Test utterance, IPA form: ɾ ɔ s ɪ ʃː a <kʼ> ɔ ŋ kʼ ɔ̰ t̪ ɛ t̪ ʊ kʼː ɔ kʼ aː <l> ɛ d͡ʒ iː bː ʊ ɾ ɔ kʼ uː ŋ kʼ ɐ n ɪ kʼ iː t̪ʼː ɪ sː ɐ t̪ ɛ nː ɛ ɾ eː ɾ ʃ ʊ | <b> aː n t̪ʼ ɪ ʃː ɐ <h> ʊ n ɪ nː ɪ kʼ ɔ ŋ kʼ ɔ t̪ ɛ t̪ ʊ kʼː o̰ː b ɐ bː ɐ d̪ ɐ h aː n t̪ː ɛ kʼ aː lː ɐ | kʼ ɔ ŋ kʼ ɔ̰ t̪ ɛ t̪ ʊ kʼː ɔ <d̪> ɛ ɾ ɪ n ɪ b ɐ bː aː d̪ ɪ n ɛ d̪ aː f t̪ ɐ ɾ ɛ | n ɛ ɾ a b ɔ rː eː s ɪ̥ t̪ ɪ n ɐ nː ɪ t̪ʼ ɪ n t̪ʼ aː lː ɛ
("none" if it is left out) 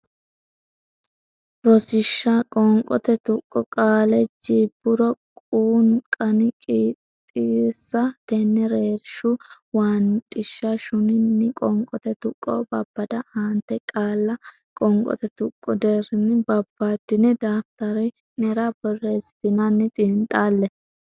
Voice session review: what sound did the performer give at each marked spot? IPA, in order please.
kʼ, l, w, ʃ, d̪

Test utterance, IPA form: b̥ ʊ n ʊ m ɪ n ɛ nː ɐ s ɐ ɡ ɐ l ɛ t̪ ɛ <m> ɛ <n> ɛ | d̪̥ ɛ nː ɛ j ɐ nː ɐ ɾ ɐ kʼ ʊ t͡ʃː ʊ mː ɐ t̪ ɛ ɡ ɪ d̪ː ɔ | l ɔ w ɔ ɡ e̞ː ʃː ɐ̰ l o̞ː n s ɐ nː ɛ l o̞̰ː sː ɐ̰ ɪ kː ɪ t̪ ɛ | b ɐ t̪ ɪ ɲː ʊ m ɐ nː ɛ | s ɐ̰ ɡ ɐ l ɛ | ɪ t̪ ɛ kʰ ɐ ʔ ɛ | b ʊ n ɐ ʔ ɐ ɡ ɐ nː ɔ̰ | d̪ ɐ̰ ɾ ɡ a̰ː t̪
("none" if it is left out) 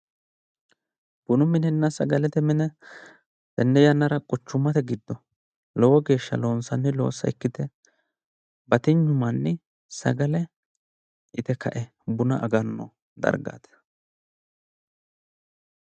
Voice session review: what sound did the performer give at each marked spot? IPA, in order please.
m, n

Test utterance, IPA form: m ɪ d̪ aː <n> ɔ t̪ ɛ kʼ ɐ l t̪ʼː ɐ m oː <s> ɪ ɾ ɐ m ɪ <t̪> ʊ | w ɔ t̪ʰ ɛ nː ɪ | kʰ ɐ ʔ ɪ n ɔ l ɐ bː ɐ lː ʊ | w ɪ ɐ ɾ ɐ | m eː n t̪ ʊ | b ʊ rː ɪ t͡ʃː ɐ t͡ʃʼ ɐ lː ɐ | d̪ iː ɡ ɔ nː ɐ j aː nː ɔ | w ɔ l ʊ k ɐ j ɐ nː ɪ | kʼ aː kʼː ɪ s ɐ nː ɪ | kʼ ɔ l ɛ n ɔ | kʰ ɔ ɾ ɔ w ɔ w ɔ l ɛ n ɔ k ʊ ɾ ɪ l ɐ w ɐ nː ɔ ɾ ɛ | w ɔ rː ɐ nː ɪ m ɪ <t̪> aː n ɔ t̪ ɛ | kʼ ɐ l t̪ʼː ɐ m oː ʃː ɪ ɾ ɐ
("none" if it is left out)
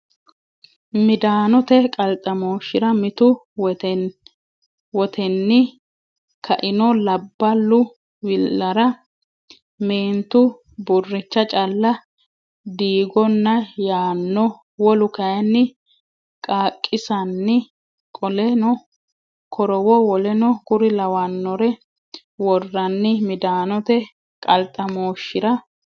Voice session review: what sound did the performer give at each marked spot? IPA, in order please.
n, ʃ, t̪, d̪

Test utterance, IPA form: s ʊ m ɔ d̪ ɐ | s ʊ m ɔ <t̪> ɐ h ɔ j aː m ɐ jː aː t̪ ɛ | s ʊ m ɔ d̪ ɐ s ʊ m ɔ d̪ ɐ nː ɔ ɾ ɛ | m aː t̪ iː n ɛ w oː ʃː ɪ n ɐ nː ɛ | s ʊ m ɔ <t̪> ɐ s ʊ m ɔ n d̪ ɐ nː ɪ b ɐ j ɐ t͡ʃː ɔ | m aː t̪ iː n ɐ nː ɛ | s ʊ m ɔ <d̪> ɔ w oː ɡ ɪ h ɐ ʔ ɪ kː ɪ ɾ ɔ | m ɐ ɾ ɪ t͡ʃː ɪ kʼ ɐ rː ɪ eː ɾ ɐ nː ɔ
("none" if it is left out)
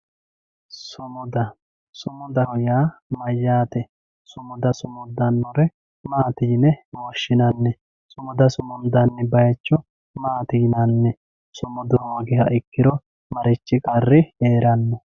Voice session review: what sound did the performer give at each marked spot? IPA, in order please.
d̪, d̪, d̪

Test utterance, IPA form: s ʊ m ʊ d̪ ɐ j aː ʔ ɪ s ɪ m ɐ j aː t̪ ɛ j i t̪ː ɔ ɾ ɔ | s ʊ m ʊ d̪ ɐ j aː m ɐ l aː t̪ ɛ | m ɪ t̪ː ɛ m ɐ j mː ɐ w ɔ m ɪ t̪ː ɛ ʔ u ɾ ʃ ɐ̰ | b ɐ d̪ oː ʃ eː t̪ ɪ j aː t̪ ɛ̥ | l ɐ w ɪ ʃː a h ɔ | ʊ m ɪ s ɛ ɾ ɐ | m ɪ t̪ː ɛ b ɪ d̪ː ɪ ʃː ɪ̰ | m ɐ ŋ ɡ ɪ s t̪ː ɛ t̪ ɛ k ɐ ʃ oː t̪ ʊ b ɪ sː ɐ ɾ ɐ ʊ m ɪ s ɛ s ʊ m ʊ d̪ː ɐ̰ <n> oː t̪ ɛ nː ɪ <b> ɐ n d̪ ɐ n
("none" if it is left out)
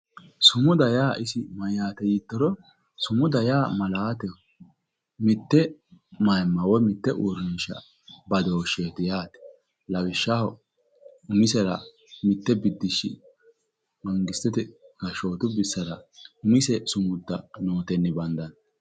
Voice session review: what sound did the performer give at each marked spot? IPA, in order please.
n, b

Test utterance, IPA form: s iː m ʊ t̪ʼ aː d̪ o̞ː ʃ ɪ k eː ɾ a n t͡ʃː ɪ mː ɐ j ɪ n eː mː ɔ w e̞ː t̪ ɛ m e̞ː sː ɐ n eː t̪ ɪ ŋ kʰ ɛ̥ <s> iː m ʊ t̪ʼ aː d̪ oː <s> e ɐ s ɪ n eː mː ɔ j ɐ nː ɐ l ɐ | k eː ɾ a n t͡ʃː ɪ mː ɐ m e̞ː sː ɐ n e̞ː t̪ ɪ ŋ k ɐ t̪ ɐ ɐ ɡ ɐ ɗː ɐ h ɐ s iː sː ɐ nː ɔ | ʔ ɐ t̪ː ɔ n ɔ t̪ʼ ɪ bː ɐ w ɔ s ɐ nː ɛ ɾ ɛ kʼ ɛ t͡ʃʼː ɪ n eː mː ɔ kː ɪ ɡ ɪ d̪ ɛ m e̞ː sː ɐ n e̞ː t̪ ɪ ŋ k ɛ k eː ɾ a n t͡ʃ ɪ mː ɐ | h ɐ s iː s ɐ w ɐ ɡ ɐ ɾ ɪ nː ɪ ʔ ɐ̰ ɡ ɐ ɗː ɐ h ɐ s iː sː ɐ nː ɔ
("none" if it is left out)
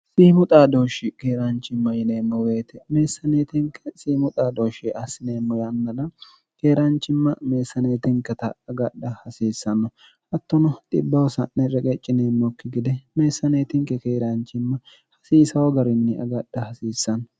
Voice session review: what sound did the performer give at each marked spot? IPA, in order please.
s, ʃ

